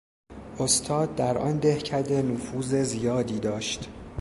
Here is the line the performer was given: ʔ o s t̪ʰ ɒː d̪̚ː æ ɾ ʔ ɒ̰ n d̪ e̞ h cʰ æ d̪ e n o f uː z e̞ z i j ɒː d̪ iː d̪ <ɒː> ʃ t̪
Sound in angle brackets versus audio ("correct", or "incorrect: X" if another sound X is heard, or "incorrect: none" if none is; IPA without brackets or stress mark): correct